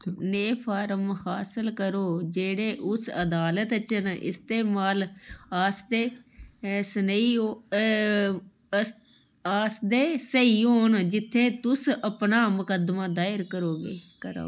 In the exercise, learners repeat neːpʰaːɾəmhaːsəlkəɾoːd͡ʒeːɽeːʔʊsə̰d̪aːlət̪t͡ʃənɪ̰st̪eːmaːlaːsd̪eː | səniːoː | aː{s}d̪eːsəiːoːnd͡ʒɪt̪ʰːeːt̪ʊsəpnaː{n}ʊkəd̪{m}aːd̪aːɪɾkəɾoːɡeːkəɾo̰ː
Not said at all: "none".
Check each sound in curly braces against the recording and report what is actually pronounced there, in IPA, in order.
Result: s, m, m

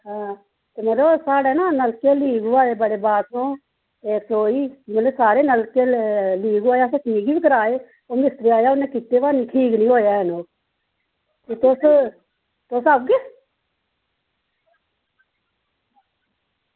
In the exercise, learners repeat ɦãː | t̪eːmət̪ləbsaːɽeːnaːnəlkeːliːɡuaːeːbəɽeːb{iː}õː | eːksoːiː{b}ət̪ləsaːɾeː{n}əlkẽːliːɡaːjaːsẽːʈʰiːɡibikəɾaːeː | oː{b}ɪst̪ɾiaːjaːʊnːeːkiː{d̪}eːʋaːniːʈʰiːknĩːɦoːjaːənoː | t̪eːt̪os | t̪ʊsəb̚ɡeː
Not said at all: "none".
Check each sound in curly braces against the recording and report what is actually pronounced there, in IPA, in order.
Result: aː, m, n, m, t̪

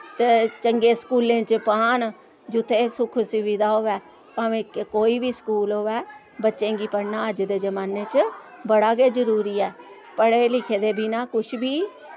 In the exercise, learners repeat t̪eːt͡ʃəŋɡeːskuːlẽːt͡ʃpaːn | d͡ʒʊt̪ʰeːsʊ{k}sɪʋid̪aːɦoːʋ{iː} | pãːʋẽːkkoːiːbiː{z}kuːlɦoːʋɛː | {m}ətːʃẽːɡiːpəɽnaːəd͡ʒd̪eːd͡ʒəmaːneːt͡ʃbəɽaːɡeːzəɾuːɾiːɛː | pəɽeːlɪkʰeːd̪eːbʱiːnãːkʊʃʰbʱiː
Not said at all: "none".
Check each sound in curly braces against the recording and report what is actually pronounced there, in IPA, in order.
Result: kʰ, ɛː, s, b

